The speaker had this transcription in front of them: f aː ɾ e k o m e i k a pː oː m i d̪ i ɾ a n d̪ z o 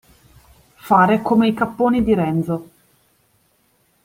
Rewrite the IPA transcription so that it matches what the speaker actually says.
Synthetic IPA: f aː ɾ e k o m e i k a pː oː n i d̪ i ɾ ɛ n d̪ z o

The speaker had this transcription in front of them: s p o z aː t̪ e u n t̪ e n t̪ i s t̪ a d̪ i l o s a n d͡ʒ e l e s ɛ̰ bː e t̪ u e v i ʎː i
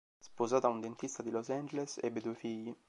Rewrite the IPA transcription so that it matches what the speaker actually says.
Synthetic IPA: s p o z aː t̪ a u n d̪ e n t̪ i s t̪ a d̪ i l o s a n d͡ʒ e l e s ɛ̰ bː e d̪ u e f i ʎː i

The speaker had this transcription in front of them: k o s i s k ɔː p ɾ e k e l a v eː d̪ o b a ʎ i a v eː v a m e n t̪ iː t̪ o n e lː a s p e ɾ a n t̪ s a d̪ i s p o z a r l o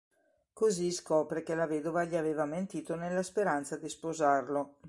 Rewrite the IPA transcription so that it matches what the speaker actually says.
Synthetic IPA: k o z i s k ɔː p ɾ e k e l a v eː d̪ o v a ʎ i a v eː v a m e n t̪ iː t̪ o n e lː a s p e ɾ a n t̪ s a d̪ i s p o z a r l o

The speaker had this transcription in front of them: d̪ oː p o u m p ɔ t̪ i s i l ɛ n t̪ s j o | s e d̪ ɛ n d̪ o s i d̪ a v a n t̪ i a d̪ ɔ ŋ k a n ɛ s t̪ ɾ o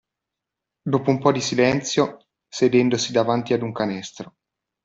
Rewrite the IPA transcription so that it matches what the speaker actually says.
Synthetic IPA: d̪ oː p o u m p ɔ d̪ i s i l ɛ n t̪ s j o | s e d̪ ɛ n d̪ o s i d̪ a v a n t̪ i a d̪ u ŋ k a n ɛ s t̪ ɾ o

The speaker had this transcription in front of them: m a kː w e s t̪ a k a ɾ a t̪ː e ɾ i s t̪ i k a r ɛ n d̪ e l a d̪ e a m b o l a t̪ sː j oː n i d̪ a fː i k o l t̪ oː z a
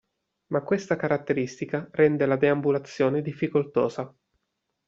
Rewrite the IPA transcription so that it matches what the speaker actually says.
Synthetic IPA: m a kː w e s t̪ a k a ɾ a t̪ː e ɾ i s t̪ i k a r ɛ n d̪ e l a d̪ e a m b u l a t̪ sː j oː n e d̪ i fː i k o l t̪ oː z a

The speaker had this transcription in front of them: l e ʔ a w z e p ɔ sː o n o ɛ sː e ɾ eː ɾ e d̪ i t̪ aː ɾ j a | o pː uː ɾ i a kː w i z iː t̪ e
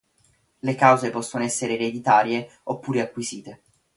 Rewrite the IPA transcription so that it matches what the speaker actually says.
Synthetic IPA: l e k a w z e p ɔ sː o n o ɛ sː e ɾ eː ɾ e d̪ i t̪ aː ɾ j e | o pː uː ɾ e a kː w i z iː t̪ e

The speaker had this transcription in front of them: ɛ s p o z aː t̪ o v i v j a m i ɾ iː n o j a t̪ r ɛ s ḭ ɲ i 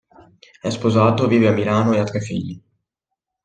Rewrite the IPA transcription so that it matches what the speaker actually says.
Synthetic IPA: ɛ s p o z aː t̪ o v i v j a m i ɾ aː n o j a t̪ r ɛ f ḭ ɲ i

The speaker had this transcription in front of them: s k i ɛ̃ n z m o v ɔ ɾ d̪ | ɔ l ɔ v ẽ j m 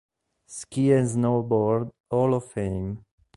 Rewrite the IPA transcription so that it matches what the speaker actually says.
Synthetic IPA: s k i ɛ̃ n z n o b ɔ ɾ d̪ | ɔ l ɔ f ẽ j m

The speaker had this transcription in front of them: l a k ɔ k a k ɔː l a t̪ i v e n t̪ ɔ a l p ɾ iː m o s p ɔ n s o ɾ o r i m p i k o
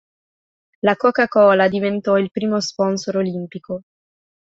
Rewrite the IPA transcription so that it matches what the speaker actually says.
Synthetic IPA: l a k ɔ k a k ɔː l a d̪ i v e n t̪ ɔ i l p ɾ iː m o s p ɔ n s o ɾ o l i m p i k o

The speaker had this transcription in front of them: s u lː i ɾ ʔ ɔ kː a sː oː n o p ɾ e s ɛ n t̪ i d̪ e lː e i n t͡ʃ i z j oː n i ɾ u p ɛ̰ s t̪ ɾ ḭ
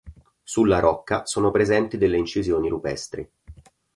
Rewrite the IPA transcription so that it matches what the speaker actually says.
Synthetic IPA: s u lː a ɾ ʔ ɔ kː a s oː n o p ɾ e z ɛ n t̪ i d̪ e lː e i n t͡ʃ i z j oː n i ɾ u p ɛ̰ s t̪ ɾ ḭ

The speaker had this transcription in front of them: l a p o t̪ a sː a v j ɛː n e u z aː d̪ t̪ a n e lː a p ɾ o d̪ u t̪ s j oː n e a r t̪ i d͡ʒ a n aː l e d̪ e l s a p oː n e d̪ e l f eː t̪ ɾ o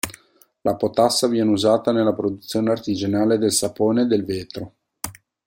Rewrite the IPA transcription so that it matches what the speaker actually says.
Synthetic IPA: l a p o t̪ a sː a v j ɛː n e u z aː t̪ a n e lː a p ɾ o d̪ u t̪ s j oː n e a r t̪ i d͡ʒ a n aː l e d̪ e l s a p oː n e d̪ e l v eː t̪ ɾ o

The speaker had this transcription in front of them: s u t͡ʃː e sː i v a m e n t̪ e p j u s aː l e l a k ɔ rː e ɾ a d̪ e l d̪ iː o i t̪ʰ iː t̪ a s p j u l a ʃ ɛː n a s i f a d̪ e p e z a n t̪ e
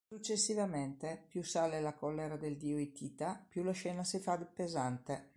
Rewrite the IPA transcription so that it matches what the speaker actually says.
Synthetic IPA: s u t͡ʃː e sː i v a m e n t̪ e p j u s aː l e l a k ɔ lː e ɾ a d̪ e l d̪ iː o i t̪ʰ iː t̪ a p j u l a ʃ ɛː n a s i f a d̪ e p e z a n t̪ e

